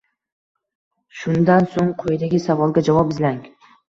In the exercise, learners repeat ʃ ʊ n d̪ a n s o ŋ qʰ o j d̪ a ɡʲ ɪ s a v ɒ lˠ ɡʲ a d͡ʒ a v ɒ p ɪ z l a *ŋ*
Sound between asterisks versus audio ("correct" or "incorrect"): correct